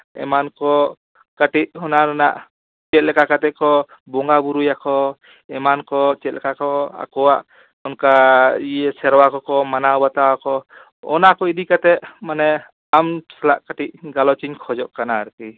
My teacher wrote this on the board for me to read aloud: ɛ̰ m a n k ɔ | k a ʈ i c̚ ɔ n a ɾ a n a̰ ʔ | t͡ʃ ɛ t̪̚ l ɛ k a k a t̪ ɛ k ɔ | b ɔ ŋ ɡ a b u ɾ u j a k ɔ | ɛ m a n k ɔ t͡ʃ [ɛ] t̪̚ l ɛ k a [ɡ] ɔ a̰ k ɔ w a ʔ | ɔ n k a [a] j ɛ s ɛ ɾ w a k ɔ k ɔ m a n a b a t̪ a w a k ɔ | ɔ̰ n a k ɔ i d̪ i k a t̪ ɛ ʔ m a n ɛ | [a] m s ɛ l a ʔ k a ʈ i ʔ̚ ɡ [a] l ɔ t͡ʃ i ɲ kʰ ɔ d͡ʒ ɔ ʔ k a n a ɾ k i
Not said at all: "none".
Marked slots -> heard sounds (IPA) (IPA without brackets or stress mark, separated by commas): ɛ, k, i, a, a